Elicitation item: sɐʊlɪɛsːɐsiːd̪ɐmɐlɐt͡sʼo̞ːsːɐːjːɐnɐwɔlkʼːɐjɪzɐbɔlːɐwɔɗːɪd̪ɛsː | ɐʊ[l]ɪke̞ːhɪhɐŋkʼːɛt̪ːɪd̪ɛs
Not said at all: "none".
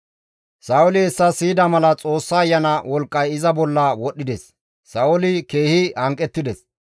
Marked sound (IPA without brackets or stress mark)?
l